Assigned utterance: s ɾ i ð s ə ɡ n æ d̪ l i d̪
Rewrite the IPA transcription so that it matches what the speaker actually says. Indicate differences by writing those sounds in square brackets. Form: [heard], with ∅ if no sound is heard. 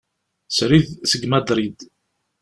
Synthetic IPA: s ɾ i ð s ə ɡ [m] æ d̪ [ɾ] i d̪